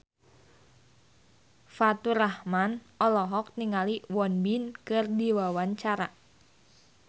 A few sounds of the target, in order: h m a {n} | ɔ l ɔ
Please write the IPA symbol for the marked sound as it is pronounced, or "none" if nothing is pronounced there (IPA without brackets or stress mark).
n